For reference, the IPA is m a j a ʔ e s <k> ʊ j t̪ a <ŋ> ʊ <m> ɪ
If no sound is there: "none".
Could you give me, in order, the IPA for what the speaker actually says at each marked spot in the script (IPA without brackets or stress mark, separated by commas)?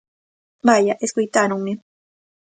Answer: k, n, m